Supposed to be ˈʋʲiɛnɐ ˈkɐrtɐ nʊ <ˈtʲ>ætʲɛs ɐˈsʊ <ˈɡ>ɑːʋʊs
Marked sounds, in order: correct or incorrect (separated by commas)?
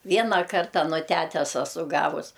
correct, correct